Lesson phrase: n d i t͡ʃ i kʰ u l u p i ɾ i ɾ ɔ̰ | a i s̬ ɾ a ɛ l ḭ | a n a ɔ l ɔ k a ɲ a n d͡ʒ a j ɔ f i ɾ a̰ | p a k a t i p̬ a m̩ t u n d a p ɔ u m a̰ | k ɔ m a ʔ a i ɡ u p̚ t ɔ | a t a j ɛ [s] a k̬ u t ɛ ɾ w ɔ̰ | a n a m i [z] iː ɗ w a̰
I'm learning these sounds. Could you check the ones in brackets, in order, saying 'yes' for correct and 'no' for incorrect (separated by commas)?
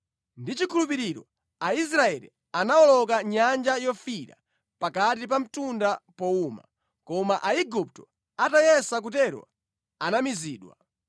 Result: yes, yes